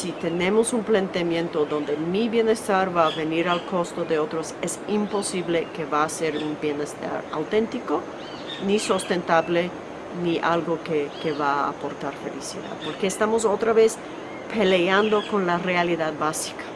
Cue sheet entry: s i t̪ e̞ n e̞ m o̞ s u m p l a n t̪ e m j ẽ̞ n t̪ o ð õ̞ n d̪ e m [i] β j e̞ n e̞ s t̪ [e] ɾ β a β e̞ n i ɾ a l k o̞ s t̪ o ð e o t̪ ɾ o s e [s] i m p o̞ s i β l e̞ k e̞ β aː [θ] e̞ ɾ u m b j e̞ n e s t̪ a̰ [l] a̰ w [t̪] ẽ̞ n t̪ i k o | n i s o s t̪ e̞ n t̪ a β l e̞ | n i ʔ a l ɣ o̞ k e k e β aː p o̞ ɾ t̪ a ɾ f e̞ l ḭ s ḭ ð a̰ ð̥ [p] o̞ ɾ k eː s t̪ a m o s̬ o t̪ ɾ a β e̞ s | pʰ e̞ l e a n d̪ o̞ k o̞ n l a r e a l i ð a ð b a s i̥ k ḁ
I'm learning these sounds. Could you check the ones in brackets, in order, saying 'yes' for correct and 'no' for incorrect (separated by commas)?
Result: yes, no, yes, no, no, yes, yes